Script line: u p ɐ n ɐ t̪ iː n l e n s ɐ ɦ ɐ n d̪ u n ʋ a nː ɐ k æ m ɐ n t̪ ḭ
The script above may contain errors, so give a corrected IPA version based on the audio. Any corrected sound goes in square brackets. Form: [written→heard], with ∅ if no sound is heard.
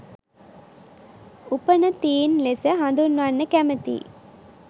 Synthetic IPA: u p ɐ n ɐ t̪ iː n l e [n→∅] s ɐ ɦ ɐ n d̪ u n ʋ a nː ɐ k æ m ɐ [n→∅] t̪ ḭ